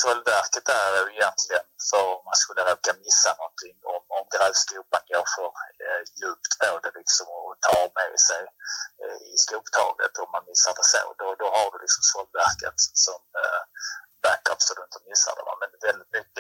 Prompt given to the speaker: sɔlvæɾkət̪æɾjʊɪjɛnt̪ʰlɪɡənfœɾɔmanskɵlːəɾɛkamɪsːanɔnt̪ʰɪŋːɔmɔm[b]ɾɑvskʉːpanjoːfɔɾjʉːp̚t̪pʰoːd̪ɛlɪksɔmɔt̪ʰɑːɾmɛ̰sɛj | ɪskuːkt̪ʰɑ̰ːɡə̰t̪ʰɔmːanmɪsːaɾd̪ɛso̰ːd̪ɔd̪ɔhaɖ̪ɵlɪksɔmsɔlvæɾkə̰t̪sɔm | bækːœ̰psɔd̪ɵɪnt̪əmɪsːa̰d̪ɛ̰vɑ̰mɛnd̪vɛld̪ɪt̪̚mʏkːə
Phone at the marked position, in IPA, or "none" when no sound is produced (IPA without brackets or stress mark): ɡ